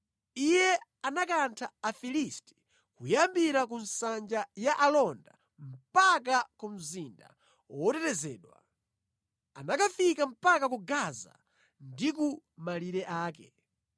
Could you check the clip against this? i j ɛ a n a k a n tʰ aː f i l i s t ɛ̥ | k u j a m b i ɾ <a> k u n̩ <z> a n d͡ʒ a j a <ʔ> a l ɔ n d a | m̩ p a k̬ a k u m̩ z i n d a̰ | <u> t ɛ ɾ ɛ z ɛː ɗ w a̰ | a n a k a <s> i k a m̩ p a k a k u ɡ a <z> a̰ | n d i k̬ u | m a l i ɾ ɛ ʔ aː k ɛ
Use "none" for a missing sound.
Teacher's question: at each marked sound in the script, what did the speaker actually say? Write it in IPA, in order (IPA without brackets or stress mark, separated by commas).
a, s, ʔ, ɔ, f, z